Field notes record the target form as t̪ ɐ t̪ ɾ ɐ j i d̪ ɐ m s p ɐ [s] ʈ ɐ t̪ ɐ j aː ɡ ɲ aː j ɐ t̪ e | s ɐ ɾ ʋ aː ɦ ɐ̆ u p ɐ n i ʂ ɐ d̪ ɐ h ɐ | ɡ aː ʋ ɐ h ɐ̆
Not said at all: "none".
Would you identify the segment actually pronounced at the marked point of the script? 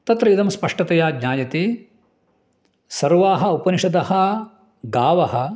ʂ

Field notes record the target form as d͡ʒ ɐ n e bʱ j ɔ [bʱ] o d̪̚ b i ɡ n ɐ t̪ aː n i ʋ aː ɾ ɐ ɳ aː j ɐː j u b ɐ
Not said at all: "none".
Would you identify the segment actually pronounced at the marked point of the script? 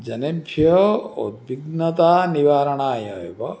none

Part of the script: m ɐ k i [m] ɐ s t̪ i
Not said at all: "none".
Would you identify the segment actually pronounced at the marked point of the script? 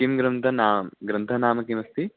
m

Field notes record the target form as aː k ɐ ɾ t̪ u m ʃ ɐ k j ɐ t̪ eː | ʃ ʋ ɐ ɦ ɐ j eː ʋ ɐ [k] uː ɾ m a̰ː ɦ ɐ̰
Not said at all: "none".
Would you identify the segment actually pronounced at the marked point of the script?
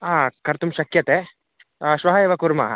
k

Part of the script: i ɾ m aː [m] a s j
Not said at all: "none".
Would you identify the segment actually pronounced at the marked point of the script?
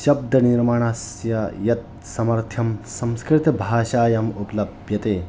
ɳ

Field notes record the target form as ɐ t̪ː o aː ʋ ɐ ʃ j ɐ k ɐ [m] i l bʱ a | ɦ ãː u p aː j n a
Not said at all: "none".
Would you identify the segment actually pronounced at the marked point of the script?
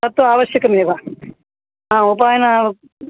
m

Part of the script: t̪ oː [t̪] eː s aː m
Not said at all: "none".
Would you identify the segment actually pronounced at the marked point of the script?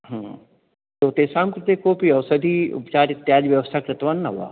t̪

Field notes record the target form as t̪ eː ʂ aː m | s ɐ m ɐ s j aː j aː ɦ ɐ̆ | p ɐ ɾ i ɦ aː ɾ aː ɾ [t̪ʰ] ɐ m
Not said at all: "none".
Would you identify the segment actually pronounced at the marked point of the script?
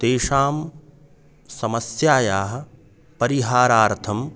t̪ʰ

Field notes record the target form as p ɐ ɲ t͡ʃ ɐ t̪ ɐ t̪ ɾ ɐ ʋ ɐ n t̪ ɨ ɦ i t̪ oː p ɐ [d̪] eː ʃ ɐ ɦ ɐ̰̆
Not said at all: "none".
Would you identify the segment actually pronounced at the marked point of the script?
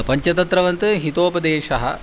d̪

